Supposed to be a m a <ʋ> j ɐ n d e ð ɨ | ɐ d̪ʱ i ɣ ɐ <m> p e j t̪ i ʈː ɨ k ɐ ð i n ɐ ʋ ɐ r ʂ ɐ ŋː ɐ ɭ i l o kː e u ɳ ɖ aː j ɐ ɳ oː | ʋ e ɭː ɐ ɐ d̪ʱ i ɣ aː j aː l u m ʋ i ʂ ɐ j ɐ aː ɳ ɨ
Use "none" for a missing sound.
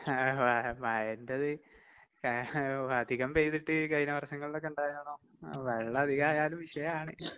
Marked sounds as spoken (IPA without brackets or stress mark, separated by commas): none, m